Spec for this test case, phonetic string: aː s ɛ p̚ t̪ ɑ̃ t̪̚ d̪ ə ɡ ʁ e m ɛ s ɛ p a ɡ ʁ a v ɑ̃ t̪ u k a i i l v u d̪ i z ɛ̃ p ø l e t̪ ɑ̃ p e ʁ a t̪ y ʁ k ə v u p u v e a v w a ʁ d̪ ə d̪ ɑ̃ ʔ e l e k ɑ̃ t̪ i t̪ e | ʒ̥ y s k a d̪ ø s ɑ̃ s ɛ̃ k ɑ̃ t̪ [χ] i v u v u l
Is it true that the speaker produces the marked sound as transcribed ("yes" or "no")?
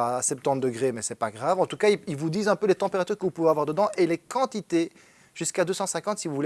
no